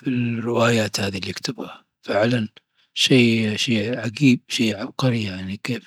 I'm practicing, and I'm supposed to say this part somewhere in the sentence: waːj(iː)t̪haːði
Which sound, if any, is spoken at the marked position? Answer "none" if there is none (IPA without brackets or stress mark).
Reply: aː